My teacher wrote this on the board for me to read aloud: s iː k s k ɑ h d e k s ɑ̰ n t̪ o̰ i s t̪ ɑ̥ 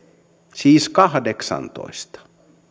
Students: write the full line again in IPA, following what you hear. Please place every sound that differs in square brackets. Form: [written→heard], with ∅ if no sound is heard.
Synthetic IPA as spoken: s iː [k→∅] s k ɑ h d e k s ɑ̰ n t̪ o̰ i s t̪ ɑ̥